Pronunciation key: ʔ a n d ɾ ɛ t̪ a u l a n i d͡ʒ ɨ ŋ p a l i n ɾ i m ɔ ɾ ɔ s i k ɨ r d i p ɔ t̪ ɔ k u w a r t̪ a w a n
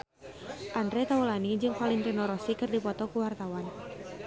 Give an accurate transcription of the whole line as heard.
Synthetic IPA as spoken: ʔ a n d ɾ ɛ t̪ a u l a n i d͡ʒ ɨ ŋ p a l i n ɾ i n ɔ ɾ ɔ s i k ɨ r d i p ɔ t̪ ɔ k u w a r t̪ a w a n